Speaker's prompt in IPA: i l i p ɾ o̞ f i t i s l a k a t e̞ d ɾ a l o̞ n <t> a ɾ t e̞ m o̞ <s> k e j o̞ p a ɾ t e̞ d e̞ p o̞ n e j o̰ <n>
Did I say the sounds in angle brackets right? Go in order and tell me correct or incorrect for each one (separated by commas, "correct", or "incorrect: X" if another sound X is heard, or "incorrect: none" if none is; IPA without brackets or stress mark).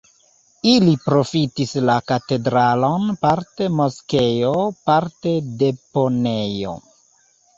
incorrect: p, correct, incorrect: none